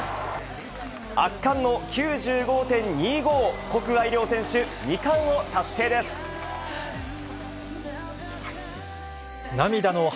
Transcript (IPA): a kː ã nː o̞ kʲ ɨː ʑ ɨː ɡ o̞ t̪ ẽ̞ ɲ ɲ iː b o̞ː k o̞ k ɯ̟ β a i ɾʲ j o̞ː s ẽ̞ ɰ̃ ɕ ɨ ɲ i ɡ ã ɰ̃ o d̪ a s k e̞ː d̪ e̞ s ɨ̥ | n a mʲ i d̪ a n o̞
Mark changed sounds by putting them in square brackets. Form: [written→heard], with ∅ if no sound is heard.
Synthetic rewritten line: a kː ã nː o̞ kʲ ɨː ʑ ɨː ɡ o̞ t̪ ẽ̞ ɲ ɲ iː [b→ɡ] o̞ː k o̞ k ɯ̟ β a i ɾʲ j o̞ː s ẽ̞ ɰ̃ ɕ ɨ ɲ i [ɡ→k] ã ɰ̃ o [d̪→t̪] a s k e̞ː d̪ e̞ s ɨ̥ | n a mʲ i d̪ a n o̞